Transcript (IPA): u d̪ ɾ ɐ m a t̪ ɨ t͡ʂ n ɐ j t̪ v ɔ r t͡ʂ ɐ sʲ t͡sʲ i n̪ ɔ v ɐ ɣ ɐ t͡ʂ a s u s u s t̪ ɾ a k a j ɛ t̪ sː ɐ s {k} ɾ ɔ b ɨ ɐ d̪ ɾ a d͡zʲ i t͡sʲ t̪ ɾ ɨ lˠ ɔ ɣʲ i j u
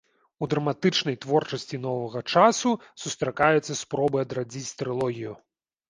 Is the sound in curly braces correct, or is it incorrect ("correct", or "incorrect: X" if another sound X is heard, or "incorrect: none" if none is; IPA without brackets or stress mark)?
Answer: incorrect: p